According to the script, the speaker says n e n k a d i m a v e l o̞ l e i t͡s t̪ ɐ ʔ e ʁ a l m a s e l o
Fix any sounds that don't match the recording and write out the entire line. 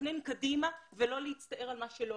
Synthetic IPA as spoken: n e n k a d i m a v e l o̞ l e i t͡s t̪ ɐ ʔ e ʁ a l m a ʃ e l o